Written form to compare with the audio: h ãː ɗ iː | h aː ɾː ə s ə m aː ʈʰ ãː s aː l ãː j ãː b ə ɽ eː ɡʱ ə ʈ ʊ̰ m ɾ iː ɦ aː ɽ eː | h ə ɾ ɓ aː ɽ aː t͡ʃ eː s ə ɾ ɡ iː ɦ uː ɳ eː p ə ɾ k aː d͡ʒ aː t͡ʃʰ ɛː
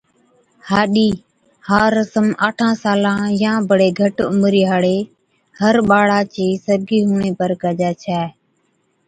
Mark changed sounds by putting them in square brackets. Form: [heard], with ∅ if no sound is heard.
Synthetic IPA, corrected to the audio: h [aː] ɗ iː | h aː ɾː ə s ə m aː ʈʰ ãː s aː l ãː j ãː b ə ɽ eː ɡʱ ə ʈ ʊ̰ m ɾ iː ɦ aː ɽ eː | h ə ɾ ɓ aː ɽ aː t͡ʃ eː s ə ɾ ɡ iː ɦ uː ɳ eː p ə ɾ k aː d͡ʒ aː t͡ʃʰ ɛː